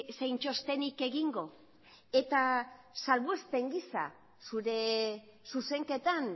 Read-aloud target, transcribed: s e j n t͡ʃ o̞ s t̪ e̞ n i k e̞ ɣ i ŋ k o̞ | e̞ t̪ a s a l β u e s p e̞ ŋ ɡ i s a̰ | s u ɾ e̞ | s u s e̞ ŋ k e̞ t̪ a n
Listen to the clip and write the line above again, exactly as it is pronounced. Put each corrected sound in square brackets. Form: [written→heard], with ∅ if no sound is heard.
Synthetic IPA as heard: s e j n t͡ʃ o̞ s t̪ e̞ n i k e̞ ɣ i ŋ [k→ɡ] o̞ | e̞ t̪ a s a l β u e s p e̞ ŋ ɡ i s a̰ | s u ɾ e̞ | s u s e̞ ŋ k e̞ t̪ a n